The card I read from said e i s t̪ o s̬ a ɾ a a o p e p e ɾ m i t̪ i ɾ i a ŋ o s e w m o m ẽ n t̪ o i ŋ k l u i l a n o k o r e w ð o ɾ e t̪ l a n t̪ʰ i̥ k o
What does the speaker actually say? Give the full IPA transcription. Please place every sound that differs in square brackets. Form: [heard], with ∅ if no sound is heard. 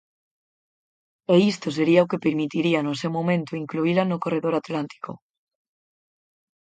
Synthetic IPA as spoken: e i s t̪ o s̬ [e] ɾ [i] a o [k] e p e ɾ m i t̪ i ɾ i a [n] o s e w m o m ẽ n t̪ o i ŋ k l u i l a n o k o r e [∅] ð o ɾ [a] t̪ l a n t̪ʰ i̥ k o